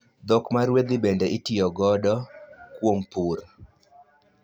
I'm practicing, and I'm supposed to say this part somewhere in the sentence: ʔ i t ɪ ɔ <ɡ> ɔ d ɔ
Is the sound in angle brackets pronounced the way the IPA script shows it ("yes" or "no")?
yes